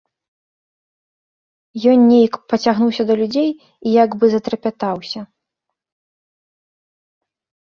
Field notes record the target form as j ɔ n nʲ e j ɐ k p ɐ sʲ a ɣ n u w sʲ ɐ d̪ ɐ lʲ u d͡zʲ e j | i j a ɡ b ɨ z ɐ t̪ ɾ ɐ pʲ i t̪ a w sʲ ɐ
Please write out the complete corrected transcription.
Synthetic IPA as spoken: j ɔ n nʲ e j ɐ k p ɐ t͡sʲ a ɣ n u w sʲ ɐ d̪ ɐ lʲ u d͡zʲ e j | i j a ɡ b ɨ z ɐ t̪ ɾ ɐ pʲ a t̪ a w sʲ ɐ